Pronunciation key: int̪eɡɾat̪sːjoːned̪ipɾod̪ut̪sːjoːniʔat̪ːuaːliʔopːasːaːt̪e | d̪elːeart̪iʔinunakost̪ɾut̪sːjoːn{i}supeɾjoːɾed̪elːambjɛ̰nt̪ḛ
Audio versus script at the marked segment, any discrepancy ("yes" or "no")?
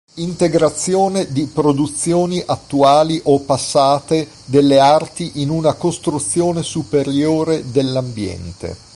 yes